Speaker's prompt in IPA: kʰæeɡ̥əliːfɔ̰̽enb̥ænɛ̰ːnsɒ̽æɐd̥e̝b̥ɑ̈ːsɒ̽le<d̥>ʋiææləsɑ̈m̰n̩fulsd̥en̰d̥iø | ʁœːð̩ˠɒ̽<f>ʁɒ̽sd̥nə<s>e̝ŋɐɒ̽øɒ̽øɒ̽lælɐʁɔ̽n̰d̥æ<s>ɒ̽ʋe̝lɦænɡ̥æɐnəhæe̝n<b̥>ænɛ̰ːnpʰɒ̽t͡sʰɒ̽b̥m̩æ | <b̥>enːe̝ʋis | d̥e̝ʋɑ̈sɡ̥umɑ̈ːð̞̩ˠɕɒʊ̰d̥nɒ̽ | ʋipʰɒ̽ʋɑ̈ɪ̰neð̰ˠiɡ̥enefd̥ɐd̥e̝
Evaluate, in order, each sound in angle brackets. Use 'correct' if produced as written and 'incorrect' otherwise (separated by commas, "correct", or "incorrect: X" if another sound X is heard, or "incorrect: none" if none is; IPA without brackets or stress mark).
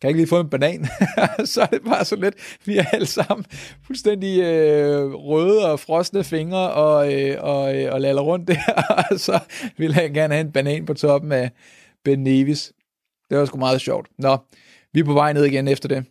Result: correct, correct, incorrect: f, correct, correct, correct